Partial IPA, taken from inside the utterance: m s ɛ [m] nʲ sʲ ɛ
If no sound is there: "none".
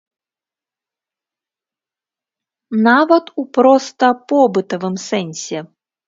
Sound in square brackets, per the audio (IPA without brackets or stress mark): none